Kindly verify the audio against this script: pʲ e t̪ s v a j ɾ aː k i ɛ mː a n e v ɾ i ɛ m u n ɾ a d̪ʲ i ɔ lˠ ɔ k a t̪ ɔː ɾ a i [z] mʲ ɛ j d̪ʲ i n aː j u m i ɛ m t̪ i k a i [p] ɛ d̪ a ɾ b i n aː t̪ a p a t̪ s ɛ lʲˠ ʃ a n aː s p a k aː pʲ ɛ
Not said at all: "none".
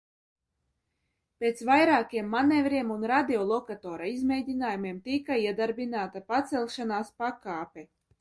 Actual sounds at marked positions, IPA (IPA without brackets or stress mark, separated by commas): z, none